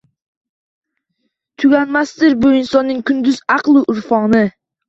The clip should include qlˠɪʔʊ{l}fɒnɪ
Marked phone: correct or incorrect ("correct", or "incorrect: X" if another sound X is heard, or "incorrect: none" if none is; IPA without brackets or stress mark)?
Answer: incorrect: ɾ